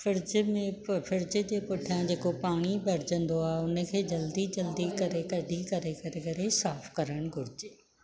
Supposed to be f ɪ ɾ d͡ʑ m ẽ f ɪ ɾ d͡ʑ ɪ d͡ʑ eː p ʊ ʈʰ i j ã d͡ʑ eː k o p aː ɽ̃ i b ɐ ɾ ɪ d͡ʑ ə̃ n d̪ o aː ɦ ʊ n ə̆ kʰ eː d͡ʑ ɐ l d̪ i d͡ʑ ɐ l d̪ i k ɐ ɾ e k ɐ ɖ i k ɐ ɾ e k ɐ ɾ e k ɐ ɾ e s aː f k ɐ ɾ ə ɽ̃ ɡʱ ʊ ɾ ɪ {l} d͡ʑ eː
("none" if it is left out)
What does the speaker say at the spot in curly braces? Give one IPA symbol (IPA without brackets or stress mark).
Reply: none